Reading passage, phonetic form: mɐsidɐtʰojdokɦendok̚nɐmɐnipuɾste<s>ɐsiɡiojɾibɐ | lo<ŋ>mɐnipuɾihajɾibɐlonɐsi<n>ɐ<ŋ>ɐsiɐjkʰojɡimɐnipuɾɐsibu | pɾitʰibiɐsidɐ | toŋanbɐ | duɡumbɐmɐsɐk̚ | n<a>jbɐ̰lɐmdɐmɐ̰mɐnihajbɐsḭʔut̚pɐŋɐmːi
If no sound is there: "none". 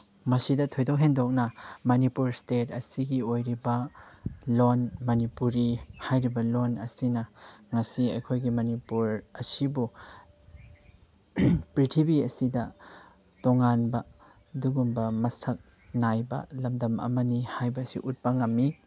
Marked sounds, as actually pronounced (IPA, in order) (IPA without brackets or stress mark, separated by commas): t, n, n, ŋ, a